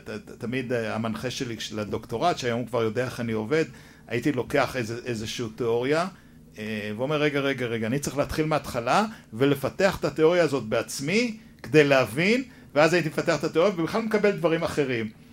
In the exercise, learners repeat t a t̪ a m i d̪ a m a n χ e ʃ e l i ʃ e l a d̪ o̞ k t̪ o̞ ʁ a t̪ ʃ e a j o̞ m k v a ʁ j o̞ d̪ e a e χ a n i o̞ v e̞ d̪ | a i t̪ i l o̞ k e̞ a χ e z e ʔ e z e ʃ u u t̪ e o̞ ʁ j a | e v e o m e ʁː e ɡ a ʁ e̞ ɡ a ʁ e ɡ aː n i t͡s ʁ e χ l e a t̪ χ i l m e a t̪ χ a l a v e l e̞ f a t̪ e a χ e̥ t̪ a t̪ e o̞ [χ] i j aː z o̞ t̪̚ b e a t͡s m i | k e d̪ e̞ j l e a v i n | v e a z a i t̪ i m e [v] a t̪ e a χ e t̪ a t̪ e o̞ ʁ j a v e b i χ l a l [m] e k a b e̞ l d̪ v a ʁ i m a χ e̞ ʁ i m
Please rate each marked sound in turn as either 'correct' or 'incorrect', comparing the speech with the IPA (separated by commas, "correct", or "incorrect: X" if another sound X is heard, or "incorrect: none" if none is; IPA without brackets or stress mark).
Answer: incorrect: ʁ, incorrect: f, correct